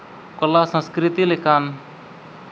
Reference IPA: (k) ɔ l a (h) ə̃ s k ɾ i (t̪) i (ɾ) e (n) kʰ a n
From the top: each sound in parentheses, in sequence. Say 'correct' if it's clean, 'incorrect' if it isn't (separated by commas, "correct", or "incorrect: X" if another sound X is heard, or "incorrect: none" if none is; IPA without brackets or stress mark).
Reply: correct, incorrect: s, correct, incorrect: l, incorrect: none